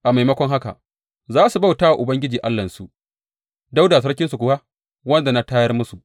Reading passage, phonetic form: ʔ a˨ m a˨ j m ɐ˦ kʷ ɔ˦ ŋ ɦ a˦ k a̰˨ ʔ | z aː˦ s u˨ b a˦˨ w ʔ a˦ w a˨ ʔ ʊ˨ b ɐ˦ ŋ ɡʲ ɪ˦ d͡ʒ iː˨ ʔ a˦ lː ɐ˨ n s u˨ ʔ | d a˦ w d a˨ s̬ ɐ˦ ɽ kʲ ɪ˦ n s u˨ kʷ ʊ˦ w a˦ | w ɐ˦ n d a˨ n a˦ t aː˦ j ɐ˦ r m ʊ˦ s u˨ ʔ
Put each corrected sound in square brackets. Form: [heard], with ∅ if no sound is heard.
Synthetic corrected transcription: ʔ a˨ m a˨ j m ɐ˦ kʷ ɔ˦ ŋ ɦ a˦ k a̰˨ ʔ | z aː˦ s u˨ b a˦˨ w [t] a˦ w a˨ ʔ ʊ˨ b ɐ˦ ŋ ɡʲ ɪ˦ d͡ʒ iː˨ ʔ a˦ lː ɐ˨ n s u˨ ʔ | d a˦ w d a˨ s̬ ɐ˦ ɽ kʲ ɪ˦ n s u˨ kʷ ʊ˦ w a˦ | w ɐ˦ n d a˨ n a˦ t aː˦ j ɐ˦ r m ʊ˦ s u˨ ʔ